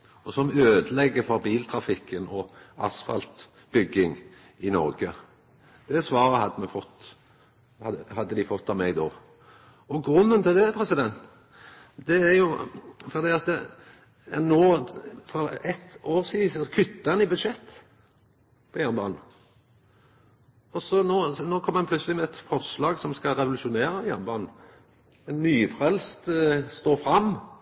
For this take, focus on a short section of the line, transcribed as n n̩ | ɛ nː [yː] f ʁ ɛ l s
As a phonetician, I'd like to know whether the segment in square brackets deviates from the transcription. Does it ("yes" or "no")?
no